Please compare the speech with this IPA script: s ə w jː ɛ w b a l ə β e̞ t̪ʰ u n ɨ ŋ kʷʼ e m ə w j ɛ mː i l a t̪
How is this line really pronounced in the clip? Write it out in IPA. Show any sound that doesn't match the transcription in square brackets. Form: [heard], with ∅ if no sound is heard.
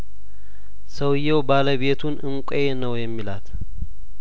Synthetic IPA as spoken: s ə w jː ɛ w b a l ə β e̞ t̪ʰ u n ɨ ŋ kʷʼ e [n] ə w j ɛ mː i l a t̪